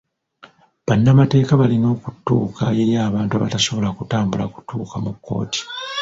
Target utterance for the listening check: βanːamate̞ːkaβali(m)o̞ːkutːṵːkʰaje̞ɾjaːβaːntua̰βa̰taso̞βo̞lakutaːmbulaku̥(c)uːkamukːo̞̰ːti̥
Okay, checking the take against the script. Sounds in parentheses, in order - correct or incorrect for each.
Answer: incorrect, incorrect

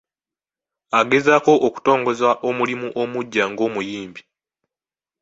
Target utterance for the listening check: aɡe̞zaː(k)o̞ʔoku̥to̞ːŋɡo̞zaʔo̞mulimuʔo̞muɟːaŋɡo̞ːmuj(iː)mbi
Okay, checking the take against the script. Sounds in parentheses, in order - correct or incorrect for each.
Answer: correct, correct

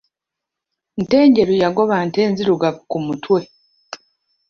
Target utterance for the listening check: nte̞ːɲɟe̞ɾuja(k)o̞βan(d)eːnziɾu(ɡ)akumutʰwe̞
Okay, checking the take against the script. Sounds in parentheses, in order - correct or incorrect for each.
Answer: incorrect, incorrect, correct

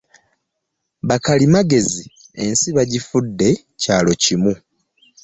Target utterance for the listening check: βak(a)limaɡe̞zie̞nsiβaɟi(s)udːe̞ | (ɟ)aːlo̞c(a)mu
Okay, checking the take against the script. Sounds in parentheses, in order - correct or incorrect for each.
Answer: correct, incorrect, incorrect, incorrect

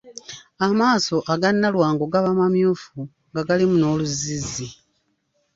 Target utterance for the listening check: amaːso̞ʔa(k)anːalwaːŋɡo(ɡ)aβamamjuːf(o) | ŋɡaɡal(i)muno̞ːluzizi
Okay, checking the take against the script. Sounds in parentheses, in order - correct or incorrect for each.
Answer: incorrect, correct, incorrect, correct

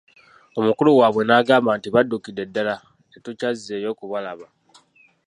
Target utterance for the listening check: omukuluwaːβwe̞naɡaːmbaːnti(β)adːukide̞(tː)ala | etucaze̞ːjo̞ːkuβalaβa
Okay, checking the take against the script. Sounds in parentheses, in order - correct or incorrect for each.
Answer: correct, incorrect

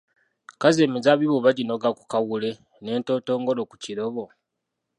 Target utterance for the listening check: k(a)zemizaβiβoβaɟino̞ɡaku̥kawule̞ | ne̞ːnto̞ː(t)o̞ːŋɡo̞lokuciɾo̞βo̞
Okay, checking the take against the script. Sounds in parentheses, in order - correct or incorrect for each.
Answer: correct, correct

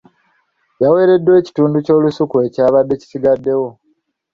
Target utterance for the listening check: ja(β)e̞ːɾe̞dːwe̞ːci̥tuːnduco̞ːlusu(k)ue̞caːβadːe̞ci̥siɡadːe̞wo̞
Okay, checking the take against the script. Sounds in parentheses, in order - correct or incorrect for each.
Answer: incorrect, correct

